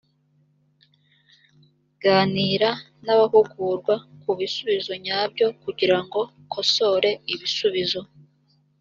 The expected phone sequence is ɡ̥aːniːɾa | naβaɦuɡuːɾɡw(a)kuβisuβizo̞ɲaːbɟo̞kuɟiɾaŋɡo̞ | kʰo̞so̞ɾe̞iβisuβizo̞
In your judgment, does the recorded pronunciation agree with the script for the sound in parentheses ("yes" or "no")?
yes